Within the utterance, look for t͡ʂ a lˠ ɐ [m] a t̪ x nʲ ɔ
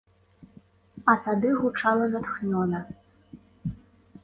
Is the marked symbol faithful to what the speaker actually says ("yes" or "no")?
no